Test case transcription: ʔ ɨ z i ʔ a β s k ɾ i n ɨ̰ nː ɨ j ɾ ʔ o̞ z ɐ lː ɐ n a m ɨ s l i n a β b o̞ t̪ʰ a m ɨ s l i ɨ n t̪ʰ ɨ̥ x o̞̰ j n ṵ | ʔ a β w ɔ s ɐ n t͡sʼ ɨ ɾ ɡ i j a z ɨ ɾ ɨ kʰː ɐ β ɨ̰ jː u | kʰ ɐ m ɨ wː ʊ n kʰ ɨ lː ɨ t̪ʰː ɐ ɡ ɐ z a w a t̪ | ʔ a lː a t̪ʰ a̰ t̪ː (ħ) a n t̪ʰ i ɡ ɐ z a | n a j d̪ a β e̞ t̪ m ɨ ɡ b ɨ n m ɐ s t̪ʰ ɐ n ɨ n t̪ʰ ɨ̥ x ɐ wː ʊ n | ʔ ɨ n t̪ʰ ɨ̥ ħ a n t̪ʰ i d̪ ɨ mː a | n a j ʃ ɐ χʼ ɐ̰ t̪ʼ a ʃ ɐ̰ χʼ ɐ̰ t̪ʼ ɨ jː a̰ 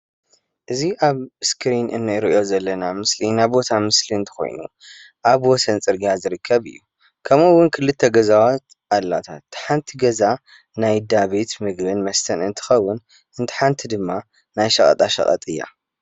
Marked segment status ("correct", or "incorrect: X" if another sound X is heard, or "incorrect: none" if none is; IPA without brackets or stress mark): correct